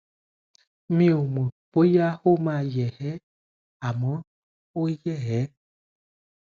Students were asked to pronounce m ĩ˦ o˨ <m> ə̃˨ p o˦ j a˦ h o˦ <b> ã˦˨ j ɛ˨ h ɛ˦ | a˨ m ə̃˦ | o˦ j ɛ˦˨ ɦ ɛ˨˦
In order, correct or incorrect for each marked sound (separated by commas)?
correct, incorrect